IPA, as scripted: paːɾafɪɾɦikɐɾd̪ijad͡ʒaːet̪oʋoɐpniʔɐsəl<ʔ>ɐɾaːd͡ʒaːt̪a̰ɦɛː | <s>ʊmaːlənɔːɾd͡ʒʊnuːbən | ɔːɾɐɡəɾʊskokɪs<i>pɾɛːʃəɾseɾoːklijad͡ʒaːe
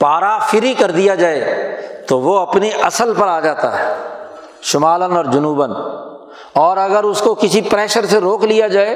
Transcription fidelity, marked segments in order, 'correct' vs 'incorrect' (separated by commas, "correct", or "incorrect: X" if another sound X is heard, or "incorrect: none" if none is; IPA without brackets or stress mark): incorrect: p, incorrect: ʃ, correct